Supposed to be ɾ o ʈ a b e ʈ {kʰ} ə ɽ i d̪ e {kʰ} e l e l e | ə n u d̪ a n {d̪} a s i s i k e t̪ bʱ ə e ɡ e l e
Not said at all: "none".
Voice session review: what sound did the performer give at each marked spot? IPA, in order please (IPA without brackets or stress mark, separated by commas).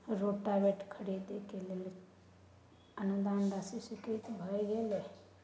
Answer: kʰ, k, d̪